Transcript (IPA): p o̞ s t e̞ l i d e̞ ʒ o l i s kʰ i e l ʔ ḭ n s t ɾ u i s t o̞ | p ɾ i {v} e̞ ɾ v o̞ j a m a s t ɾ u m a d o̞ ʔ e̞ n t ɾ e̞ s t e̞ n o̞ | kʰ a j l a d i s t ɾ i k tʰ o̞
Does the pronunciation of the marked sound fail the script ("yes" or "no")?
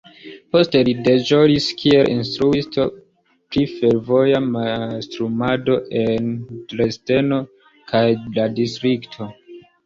yes